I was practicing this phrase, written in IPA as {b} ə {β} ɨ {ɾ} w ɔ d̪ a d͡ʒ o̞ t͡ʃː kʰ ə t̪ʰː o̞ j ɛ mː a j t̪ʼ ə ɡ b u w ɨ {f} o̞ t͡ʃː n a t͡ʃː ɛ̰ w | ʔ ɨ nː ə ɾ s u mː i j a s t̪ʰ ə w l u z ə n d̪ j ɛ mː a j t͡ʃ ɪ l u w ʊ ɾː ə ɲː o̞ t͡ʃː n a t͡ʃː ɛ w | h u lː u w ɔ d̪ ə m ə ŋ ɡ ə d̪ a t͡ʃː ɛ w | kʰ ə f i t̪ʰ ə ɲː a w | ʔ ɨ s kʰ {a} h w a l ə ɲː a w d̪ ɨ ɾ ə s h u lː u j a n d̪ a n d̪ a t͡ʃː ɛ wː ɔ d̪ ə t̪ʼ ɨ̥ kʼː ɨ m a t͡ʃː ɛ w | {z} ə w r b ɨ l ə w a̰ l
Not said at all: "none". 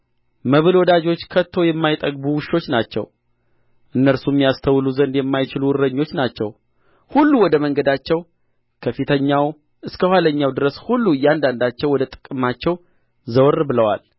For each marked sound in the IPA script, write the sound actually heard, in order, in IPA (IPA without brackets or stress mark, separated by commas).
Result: m, β, l, ʃ, ə, z